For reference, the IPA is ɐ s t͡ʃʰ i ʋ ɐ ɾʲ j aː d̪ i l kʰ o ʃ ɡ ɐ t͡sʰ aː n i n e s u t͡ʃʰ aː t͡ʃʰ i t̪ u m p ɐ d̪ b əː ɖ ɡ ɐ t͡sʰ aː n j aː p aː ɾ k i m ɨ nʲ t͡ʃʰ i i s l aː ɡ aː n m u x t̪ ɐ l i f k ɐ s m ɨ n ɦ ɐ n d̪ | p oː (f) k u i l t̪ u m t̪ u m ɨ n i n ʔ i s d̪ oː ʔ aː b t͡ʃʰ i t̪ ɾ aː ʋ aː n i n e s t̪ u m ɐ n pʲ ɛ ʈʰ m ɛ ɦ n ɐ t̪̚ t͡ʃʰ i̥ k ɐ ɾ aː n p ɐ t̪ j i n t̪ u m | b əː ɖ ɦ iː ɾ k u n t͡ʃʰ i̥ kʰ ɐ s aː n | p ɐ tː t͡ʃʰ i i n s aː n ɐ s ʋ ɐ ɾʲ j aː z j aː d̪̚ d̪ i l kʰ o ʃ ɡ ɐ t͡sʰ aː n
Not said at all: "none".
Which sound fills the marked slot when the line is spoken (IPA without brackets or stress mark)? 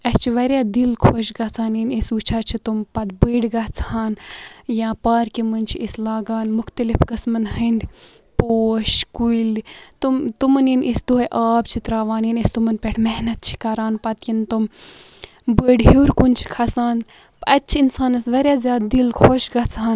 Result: ʃ